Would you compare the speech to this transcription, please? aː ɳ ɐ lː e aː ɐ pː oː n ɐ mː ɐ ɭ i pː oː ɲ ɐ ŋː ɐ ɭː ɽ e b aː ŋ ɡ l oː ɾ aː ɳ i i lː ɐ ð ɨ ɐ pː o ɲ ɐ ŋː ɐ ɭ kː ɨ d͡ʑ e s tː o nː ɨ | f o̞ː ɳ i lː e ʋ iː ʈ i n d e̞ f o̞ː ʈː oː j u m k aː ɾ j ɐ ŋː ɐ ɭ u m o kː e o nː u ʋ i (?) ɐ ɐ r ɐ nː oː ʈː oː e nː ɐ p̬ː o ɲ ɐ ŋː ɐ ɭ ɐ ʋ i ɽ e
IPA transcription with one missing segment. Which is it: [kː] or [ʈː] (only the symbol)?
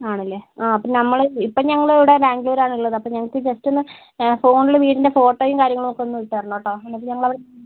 ʈː